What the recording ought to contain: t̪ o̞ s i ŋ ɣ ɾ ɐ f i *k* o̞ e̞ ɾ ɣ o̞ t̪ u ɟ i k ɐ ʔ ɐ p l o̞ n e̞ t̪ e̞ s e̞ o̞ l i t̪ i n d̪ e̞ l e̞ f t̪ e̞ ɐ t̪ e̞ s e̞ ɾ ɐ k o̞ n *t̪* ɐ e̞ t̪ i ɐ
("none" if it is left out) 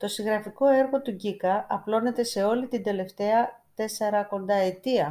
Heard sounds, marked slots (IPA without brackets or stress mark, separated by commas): k, d̪